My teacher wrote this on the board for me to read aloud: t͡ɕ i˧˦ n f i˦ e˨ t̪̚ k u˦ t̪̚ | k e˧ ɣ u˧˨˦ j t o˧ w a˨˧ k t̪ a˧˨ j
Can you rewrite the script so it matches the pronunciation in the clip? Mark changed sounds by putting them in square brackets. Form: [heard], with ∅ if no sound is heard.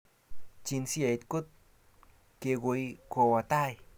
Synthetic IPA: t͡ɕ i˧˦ n [s] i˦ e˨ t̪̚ k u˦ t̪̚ | k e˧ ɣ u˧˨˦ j [k] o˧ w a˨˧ [∅] t̪ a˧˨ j